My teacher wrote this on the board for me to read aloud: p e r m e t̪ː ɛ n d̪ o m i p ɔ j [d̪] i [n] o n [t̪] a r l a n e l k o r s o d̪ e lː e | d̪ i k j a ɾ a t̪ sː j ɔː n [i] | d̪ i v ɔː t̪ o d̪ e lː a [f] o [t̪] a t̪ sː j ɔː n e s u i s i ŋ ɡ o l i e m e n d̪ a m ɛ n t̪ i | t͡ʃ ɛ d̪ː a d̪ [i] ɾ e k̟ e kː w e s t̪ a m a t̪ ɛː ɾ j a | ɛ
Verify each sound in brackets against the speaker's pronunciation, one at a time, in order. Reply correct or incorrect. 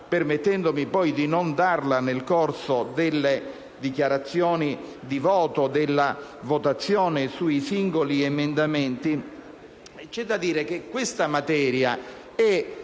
correct, correct, incorrect: d̪, correct, incorrect: v, correct, incorrect: iː

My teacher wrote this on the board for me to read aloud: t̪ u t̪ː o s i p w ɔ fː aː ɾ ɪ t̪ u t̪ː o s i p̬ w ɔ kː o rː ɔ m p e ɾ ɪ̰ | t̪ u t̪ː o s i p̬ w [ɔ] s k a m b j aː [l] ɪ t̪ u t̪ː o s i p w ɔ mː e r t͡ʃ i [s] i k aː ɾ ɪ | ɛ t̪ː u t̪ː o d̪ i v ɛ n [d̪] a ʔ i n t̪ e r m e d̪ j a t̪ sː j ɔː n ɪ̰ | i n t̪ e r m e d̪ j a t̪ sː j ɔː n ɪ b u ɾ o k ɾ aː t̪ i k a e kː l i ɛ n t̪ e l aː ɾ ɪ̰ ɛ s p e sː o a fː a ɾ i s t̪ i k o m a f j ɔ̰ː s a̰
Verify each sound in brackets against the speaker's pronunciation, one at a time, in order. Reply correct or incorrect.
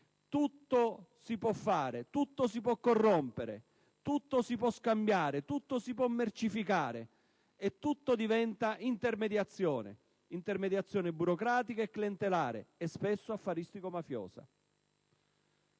correct, incorrect: ɾ, incorrect: f, incorrect: t̪

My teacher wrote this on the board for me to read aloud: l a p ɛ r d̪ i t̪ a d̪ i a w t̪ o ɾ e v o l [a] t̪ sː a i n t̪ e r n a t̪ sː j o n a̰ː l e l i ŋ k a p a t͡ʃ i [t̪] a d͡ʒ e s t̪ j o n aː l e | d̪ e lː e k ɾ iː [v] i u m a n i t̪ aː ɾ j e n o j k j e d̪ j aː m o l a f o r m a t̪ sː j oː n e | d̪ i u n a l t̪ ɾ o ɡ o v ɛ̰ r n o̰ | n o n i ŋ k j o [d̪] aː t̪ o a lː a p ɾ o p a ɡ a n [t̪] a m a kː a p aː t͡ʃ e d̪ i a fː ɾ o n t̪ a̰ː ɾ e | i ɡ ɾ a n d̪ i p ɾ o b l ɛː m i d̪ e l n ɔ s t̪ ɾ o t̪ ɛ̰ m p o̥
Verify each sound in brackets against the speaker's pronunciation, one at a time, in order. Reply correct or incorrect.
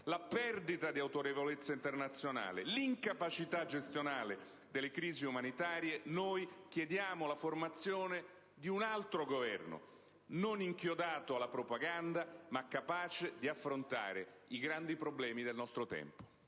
incorrect: e, correct, incorrect: z, correct, incorrect: d̪

